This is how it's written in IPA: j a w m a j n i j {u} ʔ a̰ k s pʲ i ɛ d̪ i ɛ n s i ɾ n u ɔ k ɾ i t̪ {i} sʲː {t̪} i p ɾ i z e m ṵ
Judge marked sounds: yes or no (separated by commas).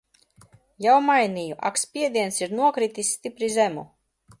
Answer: yes, yes, yes